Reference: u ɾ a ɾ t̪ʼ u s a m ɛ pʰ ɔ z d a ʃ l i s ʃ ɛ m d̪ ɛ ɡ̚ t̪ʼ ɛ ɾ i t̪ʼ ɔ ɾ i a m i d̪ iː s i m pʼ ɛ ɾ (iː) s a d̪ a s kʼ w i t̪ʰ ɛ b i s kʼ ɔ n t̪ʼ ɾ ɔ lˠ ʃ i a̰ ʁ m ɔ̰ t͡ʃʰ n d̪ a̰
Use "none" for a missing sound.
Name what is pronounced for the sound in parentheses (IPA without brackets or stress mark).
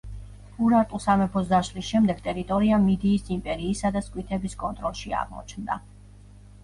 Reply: iː